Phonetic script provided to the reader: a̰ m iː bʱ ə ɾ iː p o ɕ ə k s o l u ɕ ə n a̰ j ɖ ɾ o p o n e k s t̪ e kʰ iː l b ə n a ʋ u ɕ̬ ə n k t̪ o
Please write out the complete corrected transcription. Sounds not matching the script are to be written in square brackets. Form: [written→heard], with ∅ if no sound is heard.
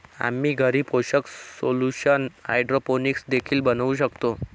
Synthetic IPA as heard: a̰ m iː [bʱ→ɡʱ] ə ɾ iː p o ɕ ə k s o l u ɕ ə n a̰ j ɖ ɾ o p o n [e→i] k s [t̪→d̪] e kʰ iː l b ə n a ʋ u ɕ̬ ə [n→∅] k t̪ o